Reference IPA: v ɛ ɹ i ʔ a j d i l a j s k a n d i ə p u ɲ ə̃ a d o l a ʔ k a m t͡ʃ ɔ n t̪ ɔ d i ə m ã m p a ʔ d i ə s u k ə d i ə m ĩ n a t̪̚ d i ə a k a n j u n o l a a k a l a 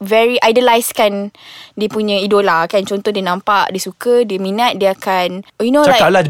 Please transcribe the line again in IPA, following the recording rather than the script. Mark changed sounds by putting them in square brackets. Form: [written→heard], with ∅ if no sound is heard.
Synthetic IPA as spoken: v ɛ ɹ i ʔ a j d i l a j s k a n d i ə p u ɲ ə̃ [a→i] d o l a [ʔ→∅] k a [m→n] t͡ʃ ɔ n t̪ ɔ d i ə [m→n] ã m p a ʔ d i ə s u k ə d i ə m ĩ n a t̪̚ d i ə a k a n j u n o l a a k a l a